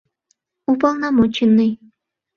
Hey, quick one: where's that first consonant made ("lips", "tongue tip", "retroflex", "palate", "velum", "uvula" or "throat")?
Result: lips